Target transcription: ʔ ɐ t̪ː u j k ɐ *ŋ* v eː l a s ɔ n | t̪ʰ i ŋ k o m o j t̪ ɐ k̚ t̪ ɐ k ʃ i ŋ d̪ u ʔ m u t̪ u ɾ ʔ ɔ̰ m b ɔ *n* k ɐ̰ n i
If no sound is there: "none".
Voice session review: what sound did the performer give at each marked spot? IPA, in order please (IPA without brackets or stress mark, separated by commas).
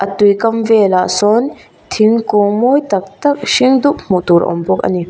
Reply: m, none